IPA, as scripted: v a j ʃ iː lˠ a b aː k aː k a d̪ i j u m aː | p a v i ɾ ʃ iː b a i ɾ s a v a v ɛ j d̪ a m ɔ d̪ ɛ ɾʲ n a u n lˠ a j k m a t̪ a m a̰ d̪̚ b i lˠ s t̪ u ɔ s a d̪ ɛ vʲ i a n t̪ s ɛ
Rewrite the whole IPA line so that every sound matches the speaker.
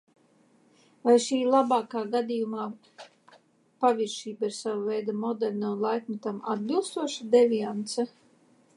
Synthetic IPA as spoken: v a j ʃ iː lˠ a b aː k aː ɡ a d̪ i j u m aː | p a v i ɾ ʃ iː b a i ɾ s a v a v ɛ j d̪ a m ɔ d̪ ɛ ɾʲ n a u n lˠ a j k m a t̪ a m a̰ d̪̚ b i lˠ s t̪ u ɔ ʃ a d̪ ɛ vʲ i a n t̪ s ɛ